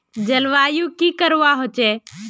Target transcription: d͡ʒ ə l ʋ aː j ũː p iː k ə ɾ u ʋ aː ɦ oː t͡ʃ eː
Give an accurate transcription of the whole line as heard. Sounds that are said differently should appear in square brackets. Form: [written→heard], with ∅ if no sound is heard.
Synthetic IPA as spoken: d͡ʒ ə l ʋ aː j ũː [p→k] iː k ə ɾ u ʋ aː ɦ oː t͡ʃ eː